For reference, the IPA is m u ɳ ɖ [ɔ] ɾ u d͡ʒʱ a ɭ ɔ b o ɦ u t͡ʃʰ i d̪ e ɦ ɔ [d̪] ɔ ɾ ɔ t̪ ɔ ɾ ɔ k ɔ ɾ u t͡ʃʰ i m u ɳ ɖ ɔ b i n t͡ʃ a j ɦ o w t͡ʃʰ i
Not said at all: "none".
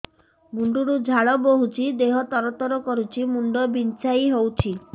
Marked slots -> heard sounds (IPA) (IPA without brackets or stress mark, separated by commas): u, t̪